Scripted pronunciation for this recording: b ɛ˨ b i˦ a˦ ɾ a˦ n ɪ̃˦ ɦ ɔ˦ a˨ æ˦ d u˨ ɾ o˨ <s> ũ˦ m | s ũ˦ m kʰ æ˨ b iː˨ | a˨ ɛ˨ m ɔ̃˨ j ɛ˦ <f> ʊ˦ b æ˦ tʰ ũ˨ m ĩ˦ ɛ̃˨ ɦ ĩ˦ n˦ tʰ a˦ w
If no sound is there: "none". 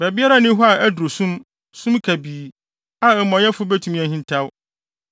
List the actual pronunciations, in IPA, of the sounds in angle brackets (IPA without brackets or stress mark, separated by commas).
s, f